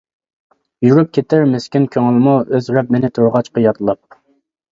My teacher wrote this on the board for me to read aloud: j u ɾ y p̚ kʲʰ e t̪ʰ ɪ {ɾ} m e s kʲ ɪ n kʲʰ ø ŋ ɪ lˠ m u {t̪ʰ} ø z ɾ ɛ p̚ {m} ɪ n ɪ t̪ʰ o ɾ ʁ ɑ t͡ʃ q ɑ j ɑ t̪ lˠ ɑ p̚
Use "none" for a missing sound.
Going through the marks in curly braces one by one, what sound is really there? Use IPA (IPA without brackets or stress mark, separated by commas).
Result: ɾ, none, m